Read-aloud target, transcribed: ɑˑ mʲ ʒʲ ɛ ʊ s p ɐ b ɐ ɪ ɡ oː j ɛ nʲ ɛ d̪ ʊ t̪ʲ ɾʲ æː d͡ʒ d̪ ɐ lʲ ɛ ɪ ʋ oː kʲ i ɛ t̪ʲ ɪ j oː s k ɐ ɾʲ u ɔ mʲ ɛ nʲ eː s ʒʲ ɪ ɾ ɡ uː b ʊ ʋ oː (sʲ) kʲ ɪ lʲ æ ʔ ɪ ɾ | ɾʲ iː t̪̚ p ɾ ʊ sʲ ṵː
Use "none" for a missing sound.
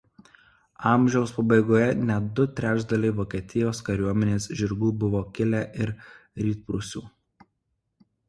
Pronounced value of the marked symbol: none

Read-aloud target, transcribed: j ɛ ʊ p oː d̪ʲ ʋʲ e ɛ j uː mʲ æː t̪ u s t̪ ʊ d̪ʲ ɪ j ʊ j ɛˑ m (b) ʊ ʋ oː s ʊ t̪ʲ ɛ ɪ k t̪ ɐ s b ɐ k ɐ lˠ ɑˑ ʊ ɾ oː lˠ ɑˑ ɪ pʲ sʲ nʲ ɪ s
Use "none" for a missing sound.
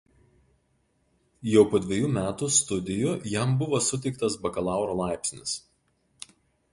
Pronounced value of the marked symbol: b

